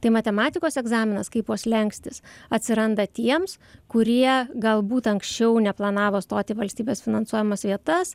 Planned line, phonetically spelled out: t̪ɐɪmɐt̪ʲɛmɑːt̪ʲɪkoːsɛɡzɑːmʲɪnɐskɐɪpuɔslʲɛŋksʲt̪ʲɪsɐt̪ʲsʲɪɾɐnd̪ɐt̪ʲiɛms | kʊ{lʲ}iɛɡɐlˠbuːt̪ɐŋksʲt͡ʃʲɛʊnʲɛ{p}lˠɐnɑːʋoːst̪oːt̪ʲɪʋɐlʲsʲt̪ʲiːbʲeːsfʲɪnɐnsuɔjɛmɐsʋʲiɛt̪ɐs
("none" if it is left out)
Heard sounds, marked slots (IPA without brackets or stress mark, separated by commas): ɾʲ, p